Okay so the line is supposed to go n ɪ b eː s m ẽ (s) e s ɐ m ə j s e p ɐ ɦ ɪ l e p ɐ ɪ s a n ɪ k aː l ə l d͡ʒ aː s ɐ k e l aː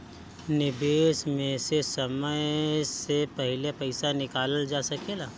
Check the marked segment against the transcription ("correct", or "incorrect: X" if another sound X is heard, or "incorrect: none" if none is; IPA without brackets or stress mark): correct